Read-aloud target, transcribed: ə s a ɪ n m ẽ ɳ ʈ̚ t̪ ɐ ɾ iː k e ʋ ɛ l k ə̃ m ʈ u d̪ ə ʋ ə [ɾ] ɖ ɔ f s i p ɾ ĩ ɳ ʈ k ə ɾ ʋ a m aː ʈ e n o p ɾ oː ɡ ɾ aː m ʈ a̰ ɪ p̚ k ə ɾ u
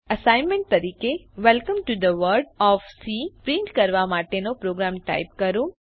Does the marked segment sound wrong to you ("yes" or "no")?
no